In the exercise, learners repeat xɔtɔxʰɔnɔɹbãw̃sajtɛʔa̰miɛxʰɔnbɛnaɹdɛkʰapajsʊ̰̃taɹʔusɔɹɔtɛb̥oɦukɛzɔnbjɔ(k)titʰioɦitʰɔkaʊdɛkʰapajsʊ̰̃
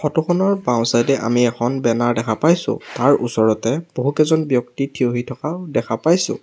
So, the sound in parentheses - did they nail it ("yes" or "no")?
yes